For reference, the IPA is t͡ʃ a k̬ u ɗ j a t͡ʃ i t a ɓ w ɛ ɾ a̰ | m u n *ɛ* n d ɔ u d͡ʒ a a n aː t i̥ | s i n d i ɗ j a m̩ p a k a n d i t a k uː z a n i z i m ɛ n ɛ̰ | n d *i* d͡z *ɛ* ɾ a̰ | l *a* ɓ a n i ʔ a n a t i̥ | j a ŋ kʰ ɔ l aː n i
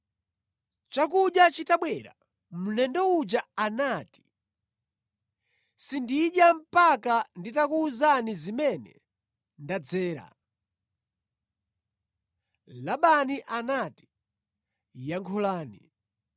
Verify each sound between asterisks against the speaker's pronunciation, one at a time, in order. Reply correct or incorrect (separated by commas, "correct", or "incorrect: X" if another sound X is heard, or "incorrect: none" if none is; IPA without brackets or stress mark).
correct, incorrect: a, incorrect: ɛː, correct